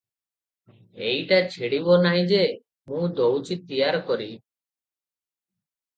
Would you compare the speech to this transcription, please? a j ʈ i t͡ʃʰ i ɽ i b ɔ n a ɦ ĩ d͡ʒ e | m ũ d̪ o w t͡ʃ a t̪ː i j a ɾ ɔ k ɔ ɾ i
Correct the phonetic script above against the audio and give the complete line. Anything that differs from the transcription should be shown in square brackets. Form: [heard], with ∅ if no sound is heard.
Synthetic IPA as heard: [e] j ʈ [a] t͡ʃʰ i ɽ i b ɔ n a ɦ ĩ d͡ʒ e | m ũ d̪ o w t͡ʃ [i] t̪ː i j a ɾ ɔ k ɔ ɾ i